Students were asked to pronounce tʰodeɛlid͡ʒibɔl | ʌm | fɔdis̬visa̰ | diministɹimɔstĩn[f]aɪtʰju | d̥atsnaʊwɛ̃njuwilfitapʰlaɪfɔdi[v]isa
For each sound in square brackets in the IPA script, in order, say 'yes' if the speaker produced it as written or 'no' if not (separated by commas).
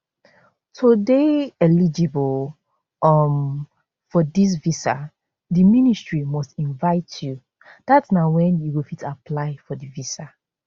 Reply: no, yes